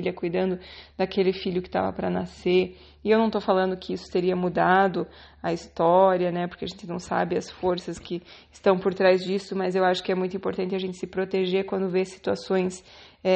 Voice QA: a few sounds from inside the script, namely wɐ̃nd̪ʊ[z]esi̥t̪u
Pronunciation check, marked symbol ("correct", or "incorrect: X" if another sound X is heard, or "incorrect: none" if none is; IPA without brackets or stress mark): incorrect: v